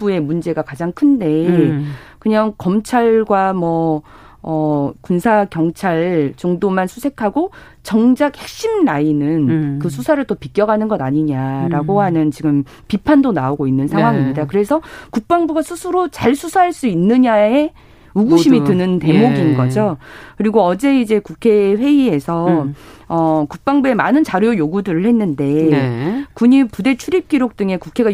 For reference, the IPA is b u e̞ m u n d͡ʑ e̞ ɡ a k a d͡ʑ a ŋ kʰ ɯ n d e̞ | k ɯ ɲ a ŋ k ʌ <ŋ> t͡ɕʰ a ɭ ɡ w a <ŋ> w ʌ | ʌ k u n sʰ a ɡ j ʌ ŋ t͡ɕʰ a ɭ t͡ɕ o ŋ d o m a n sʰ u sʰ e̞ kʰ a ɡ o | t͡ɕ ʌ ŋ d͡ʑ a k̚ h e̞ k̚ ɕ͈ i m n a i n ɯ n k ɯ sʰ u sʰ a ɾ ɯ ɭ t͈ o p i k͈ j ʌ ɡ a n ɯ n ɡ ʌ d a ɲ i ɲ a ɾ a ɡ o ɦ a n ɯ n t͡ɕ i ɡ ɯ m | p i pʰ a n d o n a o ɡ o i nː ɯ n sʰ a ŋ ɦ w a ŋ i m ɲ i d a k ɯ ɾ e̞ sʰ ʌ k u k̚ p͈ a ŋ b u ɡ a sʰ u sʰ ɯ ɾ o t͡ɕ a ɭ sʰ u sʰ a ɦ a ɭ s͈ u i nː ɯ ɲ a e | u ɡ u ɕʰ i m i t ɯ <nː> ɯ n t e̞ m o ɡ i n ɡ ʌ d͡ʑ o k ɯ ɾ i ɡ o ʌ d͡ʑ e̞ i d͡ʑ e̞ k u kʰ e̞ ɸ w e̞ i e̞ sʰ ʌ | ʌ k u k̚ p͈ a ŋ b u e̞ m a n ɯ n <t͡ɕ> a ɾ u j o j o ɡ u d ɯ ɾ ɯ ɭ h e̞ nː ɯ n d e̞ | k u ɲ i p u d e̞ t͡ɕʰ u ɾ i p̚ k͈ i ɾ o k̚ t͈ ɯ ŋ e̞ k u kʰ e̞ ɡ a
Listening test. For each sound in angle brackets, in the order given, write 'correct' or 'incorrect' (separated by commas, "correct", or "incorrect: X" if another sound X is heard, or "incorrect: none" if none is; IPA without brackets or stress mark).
incorrect: m, incorrect: m, incorrect: n, correct